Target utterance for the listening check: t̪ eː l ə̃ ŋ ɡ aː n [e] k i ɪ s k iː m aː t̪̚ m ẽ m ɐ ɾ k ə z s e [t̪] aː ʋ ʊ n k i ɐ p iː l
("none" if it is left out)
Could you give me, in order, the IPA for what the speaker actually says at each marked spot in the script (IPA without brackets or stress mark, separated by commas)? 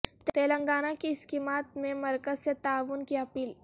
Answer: a, t̪